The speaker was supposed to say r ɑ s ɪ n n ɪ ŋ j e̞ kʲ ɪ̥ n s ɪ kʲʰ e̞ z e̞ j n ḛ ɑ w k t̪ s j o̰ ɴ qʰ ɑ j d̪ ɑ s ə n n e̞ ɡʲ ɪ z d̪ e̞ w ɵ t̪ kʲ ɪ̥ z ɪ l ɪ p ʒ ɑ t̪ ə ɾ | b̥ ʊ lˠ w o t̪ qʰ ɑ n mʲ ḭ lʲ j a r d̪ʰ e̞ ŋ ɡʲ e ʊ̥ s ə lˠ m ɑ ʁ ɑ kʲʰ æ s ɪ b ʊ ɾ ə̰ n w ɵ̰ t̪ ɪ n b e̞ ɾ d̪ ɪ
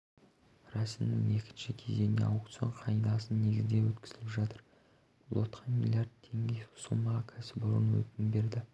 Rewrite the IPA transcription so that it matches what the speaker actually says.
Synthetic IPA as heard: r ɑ s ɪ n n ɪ ŋ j e̞ kʲ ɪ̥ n ʃ ɪ kʲʰ e̞ z e̞ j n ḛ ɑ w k t̪ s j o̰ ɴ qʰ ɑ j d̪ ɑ s ə n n e̞ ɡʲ ɪ z d̪ e̞ w ɵ t̪ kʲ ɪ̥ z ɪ l ɪ p ʒ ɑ t̪ ə ɾ | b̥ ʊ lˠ w o t̪ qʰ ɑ n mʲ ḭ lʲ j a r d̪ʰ e̞ ŋ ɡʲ e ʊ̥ s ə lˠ m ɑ ʁ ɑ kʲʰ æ s ɪ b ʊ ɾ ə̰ n w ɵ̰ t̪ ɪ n b e̞ ɾ d̪ ɪ